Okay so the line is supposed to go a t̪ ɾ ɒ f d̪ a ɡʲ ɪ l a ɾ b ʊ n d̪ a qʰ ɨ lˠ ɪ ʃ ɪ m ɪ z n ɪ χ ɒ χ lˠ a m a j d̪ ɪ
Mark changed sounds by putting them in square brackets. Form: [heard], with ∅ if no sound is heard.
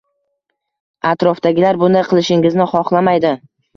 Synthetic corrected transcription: a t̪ ɾ ɒ f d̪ a ɡʲ ɪ l a ɾ b ʊ n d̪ a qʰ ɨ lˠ ɪ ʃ ɪ [ŋ] ɪ z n ɪ χ ɒ χ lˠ a m a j d̪ ɪ